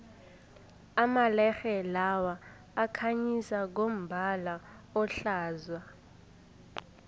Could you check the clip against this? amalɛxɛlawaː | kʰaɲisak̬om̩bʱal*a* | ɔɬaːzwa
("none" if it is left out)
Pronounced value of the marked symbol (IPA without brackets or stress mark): a